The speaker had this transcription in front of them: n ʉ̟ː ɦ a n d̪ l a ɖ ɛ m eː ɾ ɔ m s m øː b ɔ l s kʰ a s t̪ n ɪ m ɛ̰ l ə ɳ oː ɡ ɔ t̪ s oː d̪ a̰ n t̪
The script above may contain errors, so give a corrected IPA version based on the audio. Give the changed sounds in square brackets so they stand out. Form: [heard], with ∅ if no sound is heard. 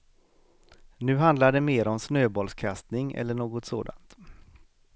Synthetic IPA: n ʉ̟ː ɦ a n d̪ l a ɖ ɛ m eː ɾ ɔ m s [n] øː b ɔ l s kʰ a s t̪ n ɪ [ŋ] ɛ̰ [lː] ə ɳ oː ɡ ɔ t̪ s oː d̪ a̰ n t̪